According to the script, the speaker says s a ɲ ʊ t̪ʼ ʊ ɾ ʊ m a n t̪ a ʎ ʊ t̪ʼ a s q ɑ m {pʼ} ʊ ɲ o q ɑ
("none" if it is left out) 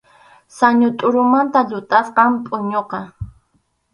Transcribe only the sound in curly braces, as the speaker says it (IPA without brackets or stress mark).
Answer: pʼ